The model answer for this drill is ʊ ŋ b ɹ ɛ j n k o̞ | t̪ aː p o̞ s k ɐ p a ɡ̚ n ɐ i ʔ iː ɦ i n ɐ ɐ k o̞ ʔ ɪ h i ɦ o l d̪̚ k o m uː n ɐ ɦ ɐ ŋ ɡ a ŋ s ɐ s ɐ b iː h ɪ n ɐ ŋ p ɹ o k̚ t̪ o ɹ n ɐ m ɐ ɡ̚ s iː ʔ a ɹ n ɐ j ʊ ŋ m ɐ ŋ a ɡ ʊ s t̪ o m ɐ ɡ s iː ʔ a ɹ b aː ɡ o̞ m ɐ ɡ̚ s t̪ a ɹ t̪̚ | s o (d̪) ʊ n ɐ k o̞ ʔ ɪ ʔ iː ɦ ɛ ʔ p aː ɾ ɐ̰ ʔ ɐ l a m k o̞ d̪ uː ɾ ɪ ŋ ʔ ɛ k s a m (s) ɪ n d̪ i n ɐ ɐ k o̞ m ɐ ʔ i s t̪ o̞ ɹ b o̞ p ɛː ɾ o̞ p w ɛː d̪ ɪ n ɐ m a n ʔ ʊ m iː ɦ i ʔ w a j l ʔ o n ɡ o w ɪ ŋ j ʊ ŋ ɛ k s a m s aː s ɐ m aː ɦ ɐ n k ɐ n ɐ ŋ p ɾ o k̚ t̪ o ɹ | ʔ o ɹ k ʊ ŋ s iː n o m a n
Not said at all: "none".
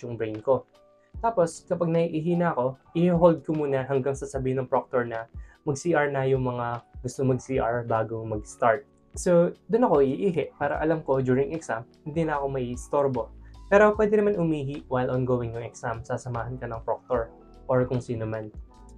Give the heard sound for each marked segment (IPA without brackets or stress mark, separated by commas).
d̪, h